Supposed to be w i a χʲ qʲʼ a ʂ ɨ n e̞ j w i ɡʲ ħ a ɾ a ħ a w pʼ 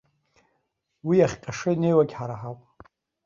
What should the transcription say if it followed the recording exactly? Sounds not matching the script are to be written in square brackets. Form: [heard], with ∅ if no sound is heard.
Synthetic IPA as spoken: w i a χʲ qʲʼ a ʂ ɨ n e̞ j w [a] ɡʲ ħ a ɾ a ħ a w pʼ